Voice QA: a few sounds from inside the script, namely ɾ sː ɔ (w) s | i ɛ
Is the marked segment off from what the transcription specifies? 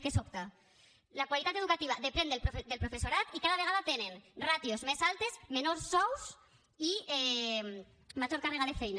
no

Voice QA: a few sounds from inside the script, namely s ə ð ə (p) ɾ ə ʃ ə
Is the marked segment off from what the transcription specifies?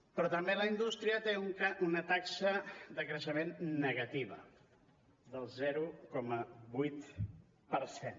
yes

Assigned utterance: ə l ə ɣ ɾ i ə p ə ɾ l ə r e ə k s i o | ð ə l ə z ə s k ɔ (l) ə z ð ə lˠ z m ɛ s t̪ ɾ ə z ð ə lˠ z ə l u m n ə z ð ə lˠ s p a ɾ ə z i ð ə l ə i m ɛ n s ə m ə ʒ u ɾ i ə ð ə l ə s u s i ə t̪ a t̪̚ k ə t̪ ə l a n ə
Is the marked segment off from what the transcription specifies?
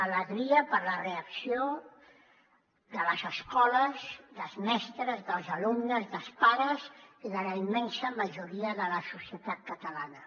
no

